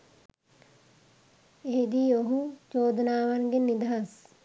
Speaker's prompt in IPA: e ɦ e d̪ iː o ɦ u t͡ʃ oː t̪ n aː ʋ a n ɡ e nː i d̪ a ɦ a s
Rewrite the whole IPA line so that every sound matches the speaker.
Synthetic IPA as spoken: e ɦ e d̪ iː o ɦ u t͡ʃ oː d̪ n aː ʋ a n ɡ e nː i d̪ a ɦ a s